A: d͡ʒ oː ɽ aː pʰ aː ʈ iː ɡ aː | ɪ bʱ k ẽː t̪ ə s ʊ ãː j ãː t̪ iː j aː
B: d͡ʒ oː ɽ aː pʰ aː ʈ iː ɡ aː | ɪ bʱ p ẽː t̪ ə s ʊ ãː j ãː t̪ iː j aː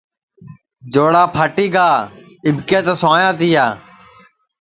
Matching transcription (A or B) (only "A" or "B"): A